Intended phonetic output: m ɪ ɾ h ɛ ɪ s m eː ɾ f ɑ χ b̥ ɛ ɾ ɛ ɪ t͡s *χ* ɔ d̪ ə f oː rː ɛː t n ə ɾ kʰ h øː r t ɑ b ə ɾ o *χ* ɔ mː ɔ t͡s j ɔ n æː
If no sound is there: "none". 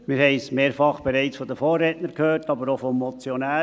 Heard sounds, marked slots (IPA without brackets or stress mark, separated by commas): f, f